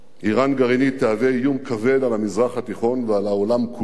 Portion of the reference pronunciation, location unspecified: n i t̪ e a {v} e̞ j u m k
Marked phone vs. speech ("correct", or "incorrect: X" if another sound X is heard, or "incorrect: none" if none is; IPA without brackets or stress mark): correct